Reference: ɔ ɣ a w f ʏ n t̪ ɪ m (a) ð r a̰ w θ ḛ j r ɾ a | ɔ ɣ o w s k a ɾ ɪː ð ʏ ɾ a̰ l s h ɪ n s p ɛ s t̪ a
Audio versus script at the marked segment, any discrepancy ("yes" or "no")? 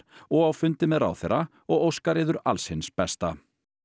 yes